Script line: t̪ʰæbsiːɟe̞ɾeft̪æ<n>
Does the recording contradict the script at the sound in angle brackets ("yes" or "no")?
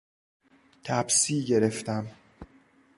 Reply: yes